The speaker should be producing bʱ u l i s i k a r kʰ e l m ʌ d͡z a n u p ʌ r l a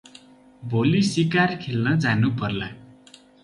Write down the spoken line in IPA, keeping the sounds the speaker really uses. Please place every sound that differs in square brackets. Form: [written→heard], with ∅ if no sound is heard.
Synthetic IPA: bʱ [u→o] l i s i k a r kʰ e l [m→n] ʌ d͡z a n u p ʌ r l a